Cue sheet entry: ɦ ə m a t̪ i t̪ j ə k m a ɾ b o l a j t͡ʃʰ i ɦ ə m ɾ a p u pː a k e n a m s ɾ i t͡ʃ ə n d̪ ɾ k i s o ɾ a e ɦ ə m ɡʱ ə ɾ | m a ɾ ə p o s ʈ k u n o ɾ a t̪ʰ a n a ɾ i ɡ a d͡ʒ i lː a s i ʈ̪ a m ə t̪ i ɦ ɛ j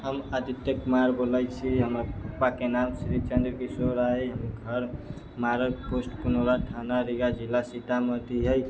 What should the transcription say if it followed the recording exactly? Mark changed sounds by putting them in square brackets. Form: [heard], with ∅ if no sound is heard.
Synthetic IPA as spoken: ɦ ə m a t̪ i t̪ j ə k m a ɾ b o l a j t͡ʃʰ i ɦ ə m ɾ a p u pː a k e n a m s ɾ i t͡ʃ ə n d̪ ɾ k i s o ɾ a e ɦ ə m ɡʱ ə ɾ | m a ɾ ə p o s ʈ k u n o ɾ a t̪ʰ a n a ɾ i ɡ a d͡ʒ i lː a s i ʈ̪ a m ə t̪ i ɦ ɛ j